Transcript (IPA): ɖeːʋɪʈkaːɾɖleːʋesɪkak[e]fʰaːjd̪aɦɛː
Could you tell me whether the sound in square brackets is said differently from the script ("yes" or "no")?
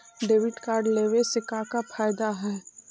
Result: yes